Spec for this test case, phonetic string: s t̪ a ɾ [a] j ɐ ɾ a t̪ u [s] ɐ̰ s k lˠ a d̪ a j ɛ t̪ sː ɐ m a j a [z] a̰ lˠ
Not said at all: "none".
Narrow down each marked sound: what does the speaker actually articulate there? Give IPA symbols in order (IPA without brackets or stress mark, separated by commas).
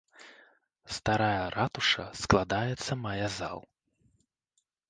a, ʂ, z